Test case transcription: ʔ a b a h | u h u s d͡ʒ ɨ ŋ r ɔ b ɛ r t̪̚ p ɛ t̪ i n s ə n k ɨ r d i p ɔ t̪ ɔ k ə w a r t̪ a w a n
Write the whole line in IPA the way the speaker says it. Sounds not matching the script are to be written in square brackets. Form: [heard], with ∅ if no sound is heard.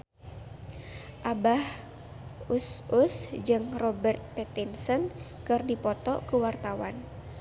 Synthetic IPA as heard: ʔ a b a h | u [s] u s d͡ʒ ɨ ŋ r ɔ b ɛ r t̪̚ p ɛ t̪ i n s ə n k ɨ r d i p ɔ t̪ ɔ k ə w a r t̪ a w a n